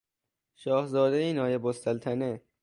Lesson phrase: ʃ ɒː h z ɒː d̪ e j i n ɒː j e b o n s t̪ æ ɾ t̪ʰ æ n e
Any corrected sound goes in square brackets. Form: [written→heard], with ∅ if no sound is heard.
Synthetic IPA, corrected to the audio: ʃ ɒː h z ɒː d̪ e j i n ɒː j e b o [n→∅] s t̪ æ [ɾ→l] t̪ʰ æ n e